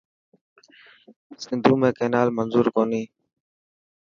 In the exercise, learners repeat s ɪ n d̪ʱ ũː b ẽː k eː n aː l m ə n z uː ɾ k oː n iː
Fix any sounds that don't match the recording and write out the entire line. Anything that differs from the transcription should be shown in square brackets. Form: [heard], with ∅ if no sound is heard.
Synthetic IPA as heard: s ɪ n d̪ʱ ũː [m] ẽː k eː n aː l m ə n z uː ɾ k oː n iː

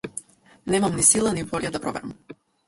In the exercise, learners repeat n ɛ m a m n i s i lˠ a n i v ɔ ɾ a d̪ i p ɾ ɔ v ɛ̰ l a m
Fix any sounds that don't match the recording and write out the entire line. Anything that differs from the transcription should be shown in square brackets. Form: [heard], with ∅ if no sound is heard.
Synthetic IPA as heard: n ɛ m a m n i s i lˠ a n i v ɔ [ʎ] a d̪ [a] p ɾ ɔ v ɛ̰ [ɾ] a m

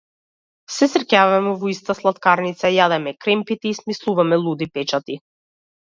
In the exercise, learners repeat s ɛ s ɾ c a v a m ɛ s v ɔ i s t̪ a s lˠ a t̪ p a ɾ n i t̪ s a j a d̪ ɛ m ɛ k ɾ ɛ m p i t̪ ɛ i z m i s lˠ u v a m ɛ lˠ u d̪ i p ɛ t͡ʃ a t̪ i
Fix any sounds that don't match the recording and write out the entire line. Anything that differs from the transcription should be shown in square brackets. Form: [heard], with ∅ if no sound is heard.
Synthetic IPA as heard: s ɛ s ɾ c a v a m ɛ [∅] v ɔ i s t̪ a s lˠ a t̪ [k] a ɾ n i t̪ s a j a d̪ ɛ m ɛ k ɾ ɛ m p i t̪ ɛ i [s] m i s lˠ u v a m ɛ lˠ u d̪ i p ɛ t͡ʃ a t̪ i

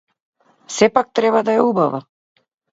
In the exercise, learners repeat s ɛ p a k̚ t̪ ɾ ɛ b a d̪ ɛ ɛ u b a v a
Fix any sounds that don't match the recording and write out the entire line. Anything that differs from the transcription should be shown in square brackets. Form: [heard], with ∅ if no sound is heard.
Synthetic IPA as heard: s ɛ p a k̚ t̪ ɾ ɛ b a d̪ [a] ɛ u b a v a

